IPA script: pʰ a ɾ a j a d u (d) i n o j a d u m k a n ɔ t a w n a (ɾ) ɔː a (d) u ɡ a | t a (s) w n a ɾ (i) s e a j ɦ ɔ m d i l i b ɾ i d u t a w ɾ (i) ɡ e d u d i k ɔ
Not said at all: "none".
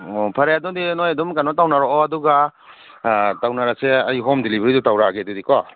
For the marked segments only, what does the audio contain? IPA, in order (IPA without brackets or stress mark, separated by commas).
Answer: d, ɾ, d, none, a, a